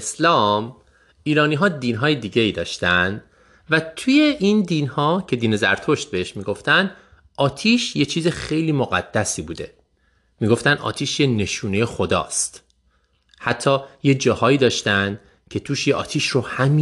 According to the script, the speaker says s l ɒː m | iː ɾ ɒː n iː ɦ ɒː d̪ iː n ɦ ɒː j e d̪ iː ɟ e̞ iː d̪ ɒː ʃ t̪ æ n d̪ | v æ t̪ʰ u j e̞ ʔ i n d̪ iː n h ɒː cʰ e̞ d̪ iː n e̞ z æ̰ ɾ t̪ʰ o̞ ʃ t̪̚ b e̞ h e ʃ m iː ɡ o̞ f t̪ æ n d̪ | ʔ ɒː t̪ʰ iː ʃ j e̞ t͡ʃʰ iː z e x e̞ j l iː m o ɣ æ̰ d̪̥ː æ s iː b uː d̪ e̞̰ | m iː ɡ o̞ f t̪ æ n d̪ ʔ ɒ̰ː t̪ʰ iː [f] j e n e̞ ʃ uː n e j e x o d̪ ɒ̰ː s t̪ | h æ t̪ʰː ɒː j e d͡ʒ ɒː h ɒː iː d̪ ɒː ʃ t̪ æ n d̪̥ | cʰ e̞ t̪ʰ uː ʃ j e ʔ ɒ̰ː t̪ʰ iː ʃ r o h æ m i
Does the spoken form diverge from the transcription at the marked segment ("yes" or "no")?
yes